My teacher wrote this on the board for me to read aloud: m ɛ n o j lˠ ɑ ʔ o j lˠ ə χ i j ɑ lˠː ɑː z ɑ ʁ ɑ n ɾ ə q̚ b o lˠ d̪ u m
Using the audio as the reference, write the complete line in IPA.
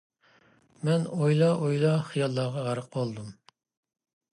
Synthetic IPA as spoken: m ɛ n o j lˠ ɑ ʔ o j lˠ ɑ χ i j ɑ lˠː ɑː ʁ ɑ ʁ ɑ ɾ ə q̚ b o lˠ d̪ u m

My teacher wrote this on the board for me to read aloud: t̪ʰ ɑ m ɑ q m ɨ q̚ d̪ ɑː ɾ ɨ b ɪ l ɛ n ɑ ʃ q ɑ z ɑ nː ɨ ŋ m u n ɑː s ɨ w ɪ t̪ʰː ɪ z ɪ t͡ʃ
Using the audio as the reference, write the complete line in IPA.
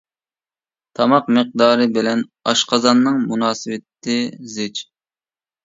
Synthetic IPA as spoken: t̪ʰ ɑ m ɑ q m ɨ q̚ d̪ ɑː ɾ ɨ b ɪ l ɛ n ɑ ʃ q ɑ z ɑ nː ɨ ŋ m u n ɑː s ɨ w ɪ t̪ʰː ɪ z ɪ t͡ʃ

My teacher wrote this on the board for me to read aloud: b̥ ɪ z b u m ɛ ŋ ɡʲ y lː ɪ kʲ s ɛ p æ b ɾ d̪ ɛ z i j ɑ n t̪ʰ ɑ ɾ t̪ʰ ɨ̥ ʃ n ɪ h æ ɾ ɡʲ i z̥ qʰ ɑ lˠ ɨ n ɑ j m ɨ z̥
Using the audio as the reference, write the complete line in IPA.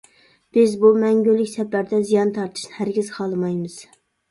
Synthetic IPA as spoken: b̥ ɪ z b u m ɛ ŋ ɡʲ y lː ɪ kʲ s ɛ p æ ɾ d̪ ɛ z i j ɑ n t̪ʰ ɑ ɾ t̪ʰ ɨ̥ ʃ n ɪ h æ ɾ ɡʲ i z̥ qʰ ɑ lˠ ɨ m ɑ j m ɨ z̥

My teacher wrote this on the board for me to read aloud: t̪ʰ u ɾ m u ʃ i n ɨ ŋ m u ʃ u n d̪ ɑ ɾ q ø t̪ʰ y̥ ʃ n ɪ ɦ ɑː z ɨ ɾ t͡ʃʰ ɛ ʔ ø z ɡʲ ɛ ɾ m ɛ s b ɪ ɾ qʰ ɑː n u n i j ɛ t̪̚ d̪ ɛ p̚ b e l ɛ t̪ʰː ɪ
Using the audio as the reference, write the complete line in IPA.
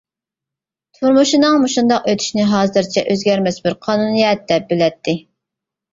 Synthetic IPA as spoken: t̪ʰ u ɾ m u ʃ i n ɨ ŋ m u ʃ u n d̪ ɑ q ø t̪ʰ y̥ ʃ n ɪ ɦ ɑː z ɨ ɾ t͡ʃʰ ɛ ʔ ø z ɡʲ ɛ ɾ m ɛ s b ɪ ɾ qʰ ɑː n u n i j ɛ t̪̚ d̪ ɛ p̚ b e l ɛ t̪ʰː ɪ

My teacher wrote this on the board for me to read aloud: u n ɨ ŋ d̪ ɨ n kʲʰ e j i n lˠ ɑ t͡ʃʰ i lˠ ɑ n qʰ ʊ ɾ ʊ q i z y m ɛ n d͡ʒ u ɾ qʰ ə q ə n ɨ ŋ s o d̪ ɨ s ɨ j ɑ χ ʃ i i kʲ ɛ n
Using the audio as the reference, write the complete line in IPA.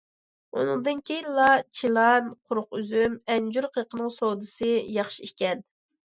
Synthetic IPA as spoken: u n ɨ ŋ d̪ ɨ n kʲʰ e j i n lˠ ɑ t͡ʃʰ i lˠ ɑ n qʰ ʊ ɾ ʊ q y z y m ɛ n d͡ʒ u ɾ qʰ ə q ə n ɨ ŋ s o d̪ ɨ s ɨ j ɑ χ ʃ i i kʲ ɛ n

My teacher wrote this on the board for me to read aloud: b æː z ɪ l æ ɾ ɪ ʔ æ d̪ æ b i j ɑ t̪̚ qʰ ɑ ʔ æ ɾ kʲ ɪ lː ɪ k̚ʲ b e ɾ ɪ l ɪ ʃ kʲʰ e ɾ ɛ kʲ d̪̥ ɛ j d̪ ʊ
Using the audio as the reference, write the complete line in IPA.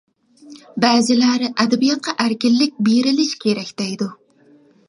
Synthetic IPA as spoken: b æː z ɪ l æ ɾ ɪ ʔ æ d̪ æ b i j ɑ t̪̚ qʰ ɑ ʔ æ ɾ kʲ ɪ lː ɪ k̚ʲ b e ɾ ɪ l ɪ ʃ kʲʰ e ɾ ɛ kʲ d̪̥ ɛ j d̪ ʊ

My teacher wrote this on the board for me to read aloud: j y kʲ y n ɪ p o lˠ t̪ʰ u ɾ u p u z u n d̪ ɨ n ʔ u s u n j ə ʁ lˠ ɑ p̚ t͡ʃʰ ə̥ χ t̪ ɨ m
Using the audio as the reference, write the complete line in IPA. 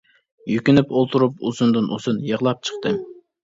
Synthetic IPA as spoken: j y kʲ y n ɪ p o lˠ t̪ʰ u ɾ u p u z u n d̪ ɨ n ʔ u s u n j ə ʁ lˠ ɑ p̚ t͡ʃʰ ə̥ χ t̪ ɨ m

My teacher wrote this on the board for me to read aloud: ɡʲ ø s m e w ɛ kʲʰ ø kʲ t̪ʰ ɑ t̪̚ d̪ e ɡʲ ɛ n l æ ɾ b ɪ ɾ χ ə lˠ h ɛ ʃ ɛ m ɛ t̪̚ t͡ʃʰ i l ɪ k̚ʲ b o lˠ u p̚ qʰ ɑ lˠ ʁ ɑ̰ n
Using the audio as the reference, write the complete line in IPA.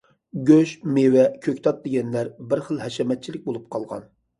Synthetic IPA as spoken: ɡʲ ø ʃ m e w ɛ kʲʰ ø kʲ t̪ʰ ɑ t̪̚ d̪ e ɡʲ ɛ n l æ ɾ b ɪ ɾ χ ə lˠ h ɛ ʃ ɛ m ɛ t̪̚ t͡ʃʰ i l ɪ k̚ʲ b o lˠ u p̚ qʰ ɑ lˠ ʁ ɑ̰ n

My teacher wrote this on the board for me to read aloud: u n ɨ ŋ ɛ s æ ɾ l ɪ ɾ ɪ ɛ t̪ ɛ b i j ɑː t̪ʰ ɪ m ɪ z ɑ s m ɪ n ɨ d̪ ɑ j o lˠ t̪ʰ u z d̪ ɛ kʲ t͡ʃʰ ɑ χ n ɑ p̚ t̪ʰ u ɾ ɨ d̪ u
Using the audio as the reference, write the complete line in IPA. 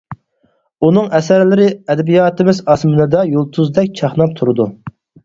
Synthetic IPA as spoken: u n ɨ ŋ ɛ s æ ɾ l ɪ ɾ ɪ ɛ d̪ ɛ b i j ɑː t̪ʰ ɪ m ɪ z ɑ s m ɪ n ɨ d̪ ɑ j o lˠ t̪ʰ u z d̪ ɛ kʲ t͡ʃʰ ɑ χ n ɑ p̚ t̪ʰ u ɾ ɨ d̪ u

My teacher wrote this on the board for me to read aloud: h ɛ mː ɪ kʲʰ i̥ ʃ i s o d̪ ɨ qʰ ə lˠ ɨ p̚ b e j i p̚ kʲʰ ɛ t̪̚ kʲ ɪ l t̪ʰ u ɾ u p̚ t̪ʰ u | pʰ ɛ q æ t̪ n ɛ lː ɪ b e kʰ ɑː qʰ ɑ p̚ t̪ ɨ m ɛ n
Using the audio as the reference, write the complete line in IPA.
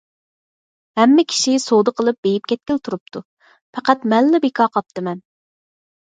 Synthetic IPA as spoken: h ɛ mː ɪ kʲʰ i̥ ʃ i s o d̪ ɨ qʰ ə lˠ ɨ p̚ b e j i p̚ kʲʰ ɛ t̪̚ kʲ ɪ l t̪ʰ u ɾ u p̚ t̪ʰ u | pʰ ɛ q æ t̪ m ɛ lː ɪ b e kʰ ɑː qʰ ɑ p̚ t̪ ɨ m ɛ n

